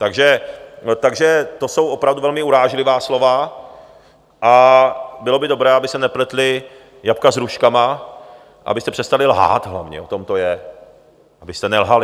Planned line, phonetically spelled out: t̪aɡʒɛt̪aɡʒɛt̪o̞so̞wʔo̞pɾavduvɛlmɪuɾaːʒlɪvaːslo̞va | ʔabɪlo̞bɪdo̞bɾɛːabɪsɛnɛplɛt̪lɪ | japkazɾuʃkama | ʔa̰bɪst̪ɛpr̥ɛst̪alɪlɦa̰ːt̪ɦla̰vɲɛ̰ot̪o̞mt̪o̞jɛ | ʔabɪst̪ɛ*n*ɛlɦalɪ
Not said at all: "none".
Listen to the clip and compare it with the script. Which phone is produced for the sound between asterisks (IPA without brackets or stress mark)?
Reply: n